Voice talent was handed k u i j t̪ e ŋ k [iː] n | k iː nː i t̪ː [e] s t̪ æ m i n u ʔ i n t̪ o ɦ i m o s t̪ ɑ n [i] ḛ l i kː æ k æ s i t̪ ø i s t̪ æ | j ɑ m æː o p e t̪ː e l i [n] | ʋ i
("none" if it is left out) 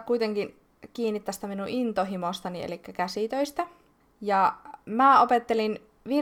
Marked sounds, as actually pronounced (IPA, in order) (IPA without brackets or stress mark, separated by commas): i, æ, i, n